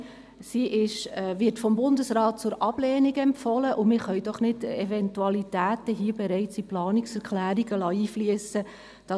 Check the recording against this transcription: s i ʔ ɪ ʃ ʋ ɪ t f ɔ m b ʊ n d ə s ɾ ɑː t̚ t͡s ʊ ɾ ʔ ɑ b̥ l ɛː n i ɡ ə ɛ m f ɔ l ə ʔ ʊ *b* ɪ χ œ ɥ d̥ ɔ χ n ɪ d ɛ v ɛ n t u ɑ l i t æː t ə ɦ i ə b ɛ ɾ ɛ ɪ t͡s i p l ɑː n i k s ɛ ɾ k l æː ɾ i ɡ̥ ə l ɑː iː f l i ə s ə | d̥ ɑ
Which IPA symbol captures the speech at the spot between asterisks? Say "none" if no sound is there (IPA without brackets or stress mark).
m